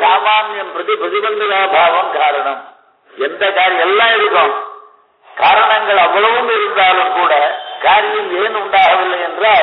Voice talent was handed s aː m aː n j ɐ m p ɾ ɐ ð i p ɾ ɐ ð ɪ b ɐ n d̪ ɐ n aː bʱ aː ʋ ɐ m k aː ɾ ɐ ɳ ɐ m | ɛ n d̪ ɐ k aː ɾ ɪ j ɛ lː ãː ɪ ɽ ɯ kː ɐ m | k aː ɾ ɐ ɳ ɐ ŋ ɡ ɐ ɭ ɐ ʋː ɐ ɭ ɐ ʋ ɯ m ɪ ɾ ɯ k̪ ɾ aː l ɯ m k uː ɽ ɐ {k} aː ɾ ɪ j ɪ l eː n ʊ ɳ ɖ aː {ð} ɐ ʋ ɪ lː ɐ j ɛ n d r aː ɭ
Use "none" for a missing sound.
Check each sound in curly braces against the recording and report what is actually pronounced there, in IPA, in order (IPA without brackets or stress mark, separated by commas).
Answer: k, ɣ